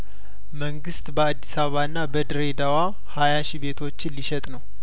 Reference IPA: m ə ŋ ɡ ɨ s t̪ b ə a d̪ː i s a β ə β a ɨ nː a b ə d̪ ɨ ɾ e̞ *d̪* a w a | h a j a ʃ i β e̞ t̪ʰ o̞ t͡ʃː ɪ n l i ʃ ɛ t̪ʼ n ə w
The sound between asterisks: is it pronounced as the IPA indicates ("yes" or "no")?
yes